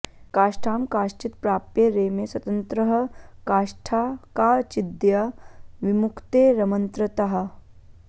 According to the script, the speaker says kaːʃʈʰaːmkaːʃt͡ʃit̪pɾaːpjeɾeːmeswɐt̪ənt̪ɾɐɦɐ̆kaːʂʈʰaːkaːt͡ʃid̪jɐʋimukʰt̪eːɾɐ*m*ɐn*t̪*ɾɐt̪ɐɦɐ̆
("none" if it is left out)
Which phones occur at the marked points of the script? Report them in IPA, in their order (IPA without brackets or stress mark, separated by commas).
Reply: m, t̪